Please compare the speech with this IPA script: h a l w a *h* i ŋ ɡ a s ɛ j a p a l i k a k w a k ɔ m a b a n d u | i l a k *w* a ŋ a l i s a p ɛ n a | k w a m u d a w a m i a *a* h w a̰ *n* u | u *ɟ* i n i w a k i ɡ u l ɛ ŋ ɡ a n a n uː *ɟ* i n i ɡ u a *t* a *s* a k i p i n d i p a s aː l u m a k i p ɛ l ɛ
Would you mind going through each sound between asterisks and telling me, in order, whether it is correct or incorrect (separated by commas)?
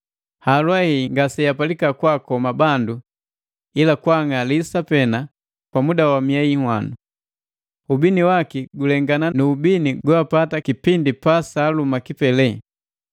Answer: correct, correct, incorrect, correct, incorrect, incorrect, incorrect, incorrect